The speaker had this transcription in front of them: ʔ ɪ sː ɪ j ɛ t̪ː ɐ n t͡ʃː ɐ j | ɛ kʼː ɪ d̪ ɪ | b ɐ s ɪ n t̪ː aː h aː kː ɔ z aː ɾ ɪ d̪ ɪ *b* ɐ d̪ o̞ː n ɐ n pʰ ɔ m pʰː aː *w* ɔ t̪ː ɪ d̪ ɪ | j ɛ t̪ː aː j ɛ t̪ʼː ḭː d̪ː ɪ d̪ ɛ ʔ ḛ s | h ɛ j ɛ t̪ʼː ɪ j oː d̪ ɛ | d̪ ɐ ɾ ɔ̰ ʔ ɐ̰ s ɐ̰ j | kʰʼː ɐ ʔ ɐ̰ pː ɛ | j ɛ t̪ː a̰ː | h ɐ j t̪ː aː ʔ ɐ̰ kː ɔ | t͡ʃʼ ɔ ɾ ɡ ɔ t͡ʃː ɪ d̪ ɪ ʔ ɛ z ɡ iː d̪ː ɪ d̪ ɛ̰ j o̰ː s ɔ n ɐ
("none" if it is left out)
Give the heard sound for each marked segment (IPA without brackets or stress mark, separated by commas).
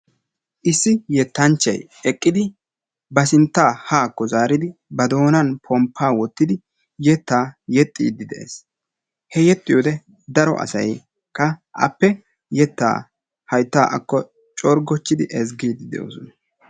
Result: b, w